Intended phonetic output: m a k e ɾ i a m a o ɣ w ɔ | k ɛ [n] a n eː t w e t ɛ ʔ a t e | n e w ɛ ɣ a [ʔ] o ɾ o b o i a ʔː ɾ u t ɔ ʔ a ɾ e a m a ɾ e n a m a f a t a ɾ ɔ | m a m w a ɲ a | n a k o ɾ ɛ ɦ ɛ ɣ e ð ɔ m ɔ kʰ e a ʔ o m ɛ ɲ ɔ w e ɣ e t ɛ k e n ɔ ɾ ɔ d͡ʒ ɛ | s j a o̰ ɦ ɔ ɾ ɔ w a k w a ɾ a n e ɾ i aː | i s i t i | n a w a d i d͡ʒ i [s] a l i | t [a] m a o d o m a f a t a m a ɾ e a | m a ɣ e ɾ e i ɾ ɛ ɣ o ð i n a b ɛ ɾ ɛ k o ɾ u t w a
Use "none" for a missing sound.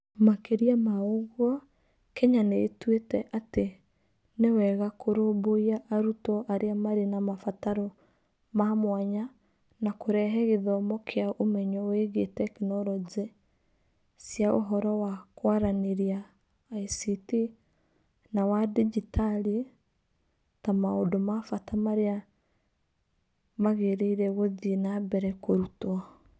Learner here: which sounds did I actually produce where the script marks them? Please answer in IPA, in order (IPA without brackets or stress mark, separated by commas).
ɲ, k, t, a